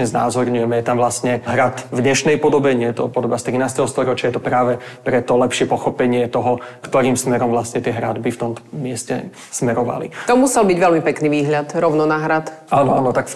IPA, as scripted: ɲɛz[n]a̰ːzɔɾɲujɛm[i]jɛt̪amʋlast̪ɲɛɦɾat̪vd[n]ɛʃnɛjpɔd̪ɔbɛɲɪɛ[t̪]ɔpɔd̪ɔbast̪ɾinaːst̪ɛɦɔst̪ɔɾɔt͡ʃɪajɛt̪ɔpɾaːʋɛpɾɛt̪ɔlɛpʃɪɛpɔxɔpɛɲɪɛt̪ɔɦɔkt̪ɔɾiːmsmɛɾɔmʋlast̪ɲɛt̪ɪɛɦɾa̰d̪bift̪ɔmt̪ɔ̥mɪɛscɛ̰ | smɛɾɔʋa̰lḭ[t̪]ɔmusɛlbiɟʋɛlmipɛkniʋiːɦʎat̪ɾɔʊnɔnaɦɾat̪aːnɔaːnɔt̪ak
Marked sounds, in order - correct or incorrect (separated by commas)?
correct, incorrect, incorrect, correct, correct